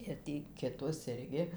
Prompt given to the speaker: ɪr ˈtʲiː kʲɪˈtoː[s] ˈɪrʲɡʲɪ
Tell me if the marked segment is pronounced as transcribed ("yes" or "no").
yes